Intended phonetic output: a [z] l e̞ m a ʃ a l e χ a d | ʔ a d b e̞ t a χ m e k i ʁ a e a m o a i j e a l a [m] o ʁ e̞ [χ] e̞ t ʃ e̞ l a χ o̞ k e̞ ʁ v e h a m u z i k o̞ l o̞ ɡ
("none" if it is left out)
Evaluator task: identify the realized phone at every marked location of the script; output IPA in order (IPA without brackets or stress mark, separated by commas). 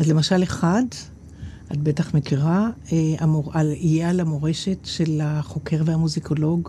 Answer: z, m, ʃ